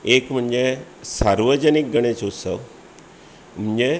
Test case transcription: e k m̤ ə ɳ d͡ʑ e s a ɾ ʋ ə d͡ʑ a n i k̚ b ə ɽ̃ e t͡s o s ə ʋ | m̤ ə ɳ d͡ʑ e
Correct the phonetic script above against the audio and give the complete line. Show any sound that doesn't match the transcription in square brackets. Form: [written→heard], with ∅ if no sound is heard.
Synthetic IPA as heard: e k m̤ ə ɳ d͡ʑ e s a ɾ ʋ ə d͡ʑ [a→ə] n i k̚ [b→ɡ] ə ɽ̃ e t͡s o s ə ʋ | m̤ ə ɳ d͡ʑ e